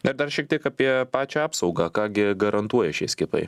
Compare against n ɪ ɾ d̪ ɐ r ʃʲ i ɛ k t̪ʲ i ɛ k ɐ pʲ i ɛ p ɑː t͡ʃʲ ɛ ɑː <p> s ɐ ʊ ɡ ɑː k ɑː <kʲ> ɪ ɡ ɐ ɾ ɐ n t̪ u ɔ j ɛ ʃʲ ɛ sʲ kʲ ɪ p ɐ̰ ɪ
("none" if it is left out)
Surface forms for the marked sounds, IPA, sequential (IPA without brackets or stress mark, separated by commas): p, ɡʲ